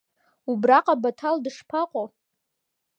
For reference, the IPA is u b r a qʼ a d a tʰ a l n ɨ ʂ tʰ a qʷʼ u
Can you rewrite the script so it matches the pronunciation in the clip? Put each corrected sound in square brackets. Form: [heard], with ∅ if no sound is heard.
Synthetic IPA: u b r a qʼ a [b] a tʰ a l [d] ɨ ʂ [pʰ] a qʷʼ [o]